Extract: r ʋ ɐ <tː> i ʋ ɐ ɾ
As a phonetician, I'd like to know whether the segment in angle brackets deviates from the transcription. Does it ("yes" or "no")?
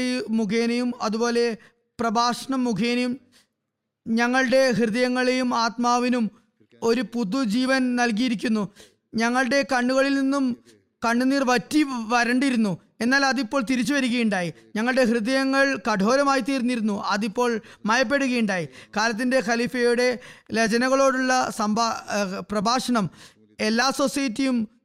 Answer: no